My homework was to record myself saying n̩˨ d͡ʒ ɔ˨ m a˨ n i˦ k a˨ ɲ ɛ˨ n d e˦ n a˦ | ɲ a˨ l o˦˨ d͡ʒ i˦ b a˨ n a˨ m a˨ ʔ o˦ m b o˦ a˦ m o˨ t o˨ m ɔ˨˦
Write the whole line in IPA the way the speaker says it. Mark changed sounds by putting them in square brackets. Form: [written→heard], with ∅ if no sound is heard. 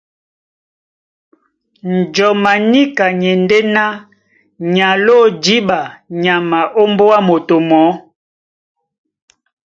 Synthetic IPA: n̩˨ d͡ʒ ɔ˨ m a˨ n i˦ k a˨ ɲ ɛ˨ n d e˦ n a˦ | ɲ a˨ l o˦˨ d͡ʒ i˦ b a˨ [n→ɲ] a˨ m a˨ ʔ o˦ m b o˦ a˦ m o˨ t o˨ m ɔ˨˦